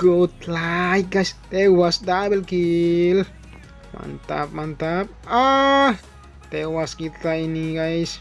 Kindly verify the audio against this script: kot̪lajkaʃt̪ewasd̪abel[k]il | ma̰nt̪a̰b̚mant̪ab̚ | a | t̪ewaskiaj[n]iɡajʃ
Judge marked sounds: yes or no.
yes, yes

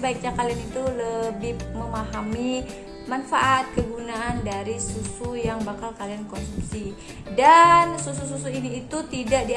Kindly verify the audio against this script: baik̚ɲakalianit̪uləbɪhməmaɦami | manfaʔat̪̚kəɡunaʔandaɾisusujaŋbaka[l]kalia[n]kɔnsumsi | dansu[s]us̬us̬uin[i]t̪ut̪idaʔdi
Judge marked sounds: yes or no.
yes, yes, yes, no

